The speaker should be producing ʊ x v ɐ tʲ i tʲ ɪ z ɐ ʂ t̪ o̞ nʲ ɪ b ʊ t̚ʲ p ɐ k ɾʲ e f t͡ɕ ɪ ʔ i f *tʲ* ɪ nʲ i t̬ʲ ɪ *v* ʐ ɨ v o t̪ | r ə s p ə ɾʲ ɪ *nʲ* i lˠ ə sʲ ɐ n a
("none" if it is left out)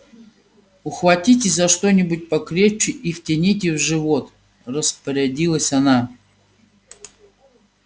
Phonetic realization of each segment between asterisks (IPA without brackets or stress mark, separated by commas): tʲ, v, dʲ